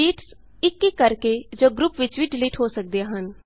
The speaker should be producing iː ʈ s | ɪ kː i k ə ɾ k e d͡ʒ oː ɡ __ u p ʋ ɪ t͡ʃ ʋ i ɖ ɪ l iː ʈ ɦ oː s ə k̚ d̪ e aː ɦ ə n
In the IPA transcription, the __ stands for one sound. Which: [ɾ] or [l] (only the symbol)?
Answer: ɾ